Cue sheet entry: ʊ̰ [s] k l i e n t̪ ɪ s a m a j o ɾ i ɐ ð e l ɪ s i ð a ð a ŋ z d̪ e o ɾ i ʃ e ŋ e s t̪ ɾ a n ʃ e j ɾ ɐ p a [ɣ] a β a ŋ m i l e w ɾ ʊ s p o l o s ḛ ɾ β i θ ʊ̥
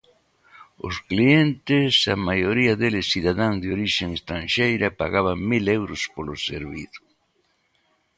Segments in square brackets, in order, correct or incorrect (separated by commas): correct, correct